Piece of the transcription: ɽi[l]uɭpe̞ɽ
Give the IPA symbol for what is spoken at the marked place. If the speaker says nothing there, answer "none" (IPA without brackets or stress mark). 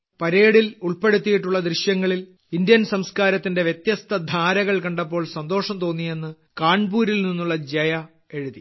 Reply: l